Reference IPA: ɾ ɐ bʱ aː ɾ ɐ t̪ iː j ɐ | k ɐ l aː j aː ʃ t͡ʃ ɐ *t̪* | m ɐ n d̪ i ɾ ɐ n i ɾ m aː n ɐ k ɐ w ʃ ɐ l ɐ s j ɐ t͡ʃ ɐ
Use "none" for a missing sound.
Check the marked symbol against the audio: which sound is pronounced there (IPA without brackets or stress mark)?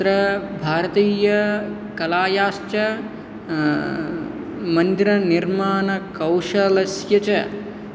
none